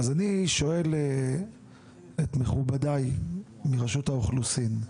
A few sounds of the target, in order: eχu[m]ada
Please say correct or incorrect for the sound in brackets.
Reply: incorrect